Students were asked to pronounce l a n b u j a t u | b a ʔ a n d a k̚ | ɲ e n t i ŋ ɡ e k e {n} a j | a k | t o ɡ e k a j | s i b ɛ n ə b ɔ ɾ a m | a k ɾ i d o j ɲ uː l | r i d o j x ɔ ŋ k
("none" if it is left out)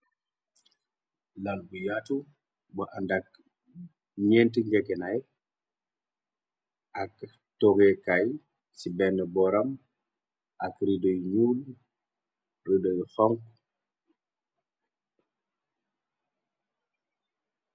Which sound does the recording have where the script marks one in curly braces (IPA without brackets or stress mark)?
n